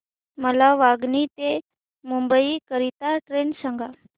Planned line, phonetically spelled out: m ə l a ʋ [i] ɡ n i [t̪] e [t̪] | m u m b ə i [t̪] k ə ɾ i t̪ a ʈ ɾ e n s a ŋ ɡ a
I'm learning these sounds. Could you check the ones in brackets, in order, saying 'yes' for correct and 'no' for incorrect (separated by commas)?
no, yes, no, no